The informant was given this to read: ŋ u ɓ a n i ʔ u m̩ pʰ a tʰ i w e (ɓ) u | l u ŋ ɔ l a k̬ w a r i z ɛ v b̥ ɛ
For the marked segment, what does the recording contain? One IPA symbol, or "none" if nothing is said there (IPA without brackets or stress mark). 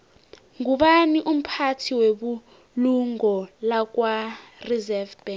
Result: ɓ